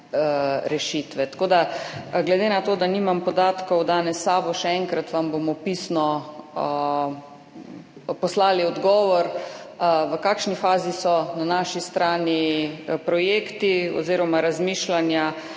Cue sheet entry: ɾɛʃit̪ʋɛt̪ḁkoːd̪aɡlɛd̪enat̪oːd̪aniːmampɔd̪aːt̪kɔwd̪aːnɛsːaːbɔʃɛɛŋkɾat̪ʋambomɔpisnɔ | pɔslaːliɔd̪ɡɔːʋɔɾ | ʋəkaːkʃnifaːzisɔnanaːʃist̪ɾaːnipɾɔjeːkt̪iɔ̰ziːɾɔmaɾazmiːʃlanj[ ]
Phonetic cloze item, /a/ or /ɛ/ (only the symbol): a